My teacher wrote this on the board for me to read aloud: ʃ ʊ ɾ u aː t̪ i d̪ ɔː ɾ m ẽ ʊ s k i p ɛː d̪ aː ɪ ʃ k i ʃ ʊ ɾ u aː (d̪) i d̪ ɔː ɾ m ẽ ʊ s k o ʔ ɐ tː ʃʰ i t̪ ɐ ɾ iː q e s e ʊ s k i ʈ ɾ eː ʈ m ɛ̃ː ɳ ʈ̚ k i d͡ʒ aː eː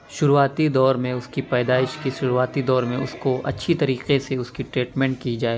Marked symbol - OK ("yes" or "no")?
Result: no